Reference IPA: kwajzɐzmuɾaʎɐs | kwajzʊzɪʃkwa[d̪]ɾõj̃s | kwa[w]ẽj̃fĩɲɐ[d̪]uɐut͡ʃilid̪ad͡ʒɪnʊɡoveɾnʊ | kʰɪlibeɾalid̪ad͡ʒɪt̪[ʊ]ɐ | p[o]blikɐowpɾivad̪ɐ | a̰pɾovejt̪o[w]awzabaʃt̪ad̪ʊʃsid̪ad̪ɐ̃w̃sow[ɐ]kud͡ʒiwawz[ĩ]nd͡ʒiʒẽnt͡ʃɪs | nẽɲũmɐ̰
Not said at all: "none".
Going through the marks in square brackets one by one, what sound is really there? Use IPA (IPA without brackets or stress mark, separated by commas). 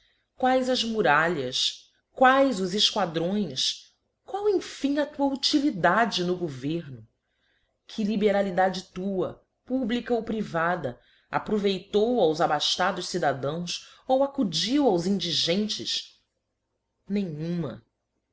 d̪, w, t̪, u, u, w, a, ĩ